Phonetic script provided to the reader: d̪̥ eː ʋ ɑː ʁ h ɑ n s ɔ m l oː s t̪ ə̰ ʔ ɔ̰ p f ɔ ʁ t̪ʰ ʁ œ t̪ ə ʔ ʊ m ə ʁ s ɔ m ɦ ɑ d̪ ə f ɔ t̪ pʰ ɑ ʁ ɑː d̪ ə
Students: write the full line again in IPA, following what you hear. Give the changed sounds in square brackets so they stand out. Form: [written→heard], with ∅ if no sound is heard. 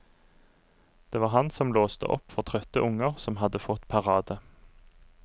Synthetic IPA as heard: d̪̥ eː ʋ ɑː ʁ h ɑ n s ɔ m l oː s t̪ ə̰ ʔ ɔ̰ p f ɔ ʁ t̪ʰ ʁ œ t̪ ə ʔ ʊ [m→ŋ] ə ʁ s ɔ m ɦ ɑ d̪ ə f ɔ t̪ pʰ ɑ ʁ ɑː d̪ ə

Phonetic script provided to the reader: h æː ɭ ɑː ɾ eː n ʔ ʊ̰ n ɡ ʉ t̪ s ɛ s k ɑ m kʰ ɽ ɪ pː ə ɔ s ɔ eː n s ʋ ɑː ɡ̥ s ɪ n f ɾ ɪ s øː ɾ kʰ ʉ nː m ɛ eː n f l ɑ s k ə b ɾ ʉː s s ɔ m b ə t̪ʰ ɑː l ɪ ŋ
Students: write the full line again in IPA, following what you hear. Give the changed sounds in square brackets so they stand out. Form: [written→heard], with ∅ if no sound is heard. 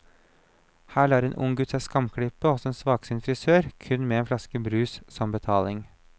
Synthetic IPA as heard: h æː ɭ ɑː ɾ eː n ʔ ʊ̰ [n→ŋ] ɡ ʉ t̪ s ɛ s k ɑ m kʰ ɽ ɪ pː ə ɔ s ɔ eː n s ʋ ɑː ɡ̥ s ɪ n f ɾ ɪ s øː ɾ kʰ ʉ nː m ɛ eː n f l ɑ s k ə b ɾ ʉː s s ɔ m b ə t̪ʰ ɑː l ɪ ŋ

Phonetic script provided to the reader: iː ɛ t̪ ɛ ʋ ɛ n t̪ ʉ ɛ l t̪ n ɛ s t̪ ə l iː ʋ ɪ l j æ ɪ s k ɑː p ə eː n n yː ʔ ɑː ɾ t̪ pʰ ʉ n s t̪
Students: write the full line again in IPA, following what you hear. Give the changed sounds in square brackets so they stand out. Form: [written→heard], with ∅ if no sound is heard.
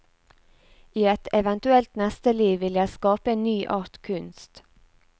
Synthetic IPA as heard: iː ɛ t̪ ɛ ʋ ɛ n t̪ ʉ ɛ l t̪ n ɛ s t̪ ə l iː ʋ ɪ l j æ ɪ s k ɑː p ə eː n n yː ʔ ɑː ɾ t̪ [pʰ→kʰ] ʉ n s t̪

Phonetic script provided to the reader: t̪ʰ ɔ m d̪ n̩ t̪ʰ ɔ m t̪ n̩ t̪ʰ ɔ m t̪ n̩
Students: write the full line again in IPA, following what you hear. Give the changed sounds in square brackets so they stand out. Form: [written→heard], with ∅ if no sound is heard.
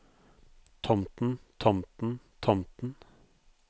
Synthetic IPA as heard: t̪ʰ ɔ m [d̪→t̪] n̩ t̪ʰ ɔ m t̪ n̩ t̪ʰ ɔ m t̪ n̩

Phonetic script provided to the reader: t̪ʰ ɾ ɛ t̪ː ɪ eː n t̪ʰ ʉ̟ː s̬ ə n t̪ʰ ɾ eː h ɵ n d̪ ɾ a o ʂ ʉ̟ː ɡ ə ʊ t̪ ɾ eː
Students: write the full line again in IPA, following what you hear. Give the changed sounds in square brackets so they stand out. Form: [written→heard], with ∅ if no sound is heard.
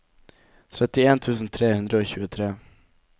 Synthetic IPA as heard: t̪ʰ ɾ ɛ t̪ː ɪ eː n t̪ʰ ʉ̟ː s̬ ə n t̪ʰ ɾ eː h ɵ n d̪ ɾ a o [ʂ→ɕ] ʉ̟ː ɡ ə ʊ [t̪→t̪ʰ] ɾ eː

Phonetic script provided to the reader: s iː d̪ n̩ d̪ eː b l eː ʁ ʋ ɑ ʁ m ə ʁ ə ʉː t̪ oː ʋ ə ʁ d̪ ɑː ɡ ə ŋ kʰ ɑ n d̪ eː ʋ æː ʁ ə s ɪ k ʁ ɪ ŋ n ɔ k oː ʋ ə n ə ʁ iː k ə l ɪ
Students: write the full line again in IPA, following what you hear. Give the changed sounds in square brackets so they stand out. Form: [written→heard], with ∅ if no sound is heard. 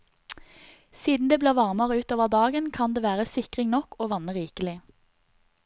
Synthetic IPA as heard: s iː d̪ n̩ d̪ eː b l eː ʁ ʋ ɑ ʁ m ə ʁ ə ʉː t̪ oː ʋ ə ʁ d̪ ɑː ɡ ə [ŋ→n] kʰ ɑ n d̪ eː ʋ æː ʁ ə s ɪ k ʁ ɪ ŋ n ɔ k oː ʋ [ə→ɑ] n ə ʁ iː k ə l ɪ

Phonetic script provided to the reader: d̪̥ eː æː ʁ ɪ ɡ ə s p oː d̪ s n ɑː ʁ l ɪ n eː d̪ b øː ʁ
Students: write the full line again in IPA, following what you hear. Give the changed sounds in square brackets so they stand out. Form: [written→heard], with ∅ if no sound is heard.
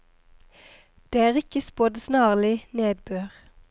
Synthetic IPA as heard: d̪̥ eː æː ʁ ɪ [ɡ→k] ə s p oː d̪ s n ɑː ʁ l ɪ n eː d̪ b øː ʁ

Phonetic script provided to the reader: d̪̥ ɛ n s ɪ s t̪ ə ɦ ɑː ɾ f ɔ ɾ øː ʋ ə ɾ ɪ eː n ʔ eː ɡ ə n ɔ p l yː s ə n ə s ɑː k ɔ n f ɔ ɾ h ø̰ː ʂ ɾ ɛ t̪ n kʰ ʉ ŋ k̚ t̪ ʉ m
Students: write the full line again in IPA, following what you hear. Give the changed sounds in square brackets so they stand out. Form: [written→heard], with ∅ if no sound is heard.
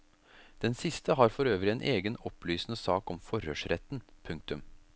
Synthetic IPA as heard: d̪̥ ɛ n s ɪ s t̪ ə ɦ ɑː ɾ f ɔ ɾ øː ʋ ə ɾ ɪ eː n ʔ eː ɡ ə n ɔ p l yː s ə n ə s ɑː k ɔ [n→m] f ɔ ɾ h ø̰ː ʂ ɾ ɛ t̪ n [kʰ→pʰ] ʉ ŋ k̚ t̪ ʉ m

